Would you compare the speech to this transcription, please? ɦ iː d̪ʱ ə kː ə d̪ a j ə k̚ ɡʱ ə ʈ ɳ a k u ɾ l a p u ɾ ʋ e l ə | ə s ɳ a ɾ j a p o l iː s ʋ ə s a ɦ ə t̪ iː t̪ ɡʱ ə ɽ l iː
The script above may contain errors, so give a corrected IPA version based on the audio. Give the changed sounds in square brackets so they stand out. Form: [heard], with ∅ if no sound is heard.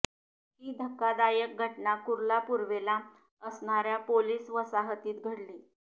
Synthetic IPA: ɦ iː d̪ʱ ə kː [a] d̪ a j ə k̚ ɡʱ ə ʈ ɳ a k u ɾ l a p u ɾ ʋ e l [a] | ə s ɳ a ɾ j a p o l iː s ʋ ə s a ɦ ə t̪ iː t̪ ɡʱ ə ɽ l iː